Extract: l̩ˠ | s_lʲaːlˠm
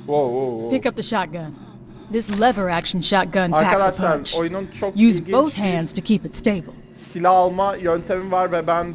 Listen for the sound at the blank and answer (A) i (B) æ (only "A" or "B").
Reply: A